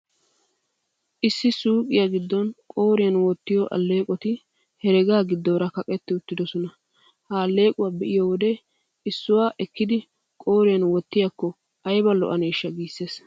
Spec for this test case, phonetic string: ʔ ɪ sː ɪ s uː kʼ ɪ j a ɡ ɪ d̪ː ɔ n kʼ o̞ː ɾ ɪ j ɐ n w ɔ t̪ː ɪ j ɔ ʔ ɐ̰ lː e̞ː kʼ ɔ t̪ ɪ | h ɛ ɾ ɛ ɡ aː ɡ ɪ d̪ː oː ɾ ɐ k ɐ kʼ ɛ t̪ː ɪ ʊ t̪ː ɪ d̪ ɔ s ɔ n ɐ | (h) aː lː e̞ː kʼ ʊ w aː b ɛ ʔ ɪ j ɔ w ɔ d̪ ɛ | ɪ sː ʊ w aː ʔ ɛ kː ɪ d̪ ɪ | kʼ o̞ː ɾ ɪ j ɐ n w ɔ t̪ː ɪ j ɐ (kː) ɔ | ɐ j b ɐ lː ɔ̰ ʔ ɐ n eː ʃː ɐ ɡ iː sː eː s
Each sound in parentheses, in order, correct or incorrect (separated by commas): correct, correct